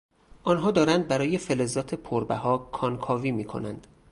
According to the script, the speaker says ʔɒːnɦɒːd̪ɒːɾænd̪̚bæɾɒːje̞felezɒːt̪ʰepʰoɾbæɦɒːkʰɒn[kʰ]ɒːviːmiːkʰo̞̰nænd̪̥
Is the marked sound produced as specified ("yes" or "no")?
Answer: yes